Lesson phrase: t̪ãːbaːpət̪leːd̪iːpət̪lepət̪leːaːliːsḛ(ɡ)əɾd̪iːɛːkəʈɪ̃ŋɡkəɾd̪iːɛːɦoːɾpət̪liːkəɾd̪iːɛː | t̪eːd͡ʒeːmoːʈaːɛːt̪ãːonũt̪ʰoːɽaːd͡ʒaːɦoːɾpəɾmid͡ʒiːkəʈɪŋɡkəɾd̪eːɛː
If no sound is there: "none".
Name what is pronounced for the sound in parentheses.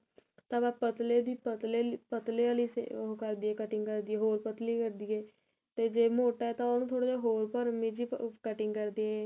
k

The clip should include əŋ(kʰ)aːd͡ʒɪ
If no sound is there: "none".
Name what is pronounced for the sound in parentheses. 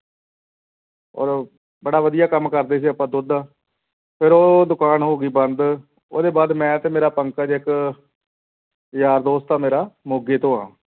k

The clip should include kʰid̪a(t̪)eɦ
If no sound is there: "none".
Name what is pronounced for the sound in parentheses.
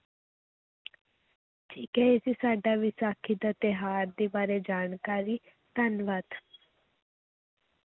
t̪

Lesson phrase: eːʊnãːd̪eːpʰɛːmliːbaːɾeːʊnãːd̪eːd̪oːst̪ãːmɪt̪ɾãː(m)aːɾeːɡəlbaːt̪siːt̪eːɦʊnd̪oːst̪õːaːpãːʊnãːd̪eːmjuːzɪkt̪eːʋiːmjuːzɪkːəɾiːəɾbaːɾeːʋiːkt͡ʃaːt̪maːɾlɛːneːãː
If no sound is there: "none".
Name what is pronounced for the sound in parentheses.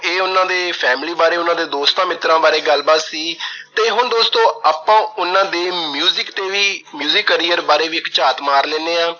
b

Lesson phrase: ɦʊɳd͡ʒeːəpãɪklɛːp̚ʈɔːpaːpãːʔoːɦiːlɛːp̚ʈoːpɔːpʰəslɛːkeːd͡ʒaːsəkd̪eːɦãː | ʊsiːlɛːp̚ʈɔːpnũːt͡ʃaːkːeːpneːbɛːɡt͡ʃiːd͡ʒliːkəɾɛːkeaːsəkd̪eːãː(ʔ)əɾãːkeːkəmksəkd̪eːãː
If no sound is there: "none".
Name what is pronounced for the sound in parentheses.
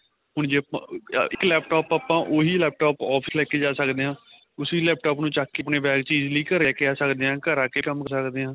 k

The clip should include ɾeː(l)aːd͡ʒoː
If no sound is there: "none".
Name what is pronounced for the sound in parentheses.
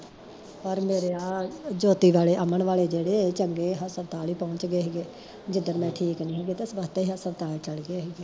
none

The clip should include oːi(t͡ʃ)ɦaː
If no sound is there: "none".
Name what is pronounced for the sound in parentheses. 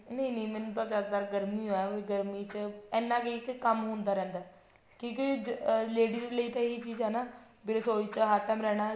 t͡ʃ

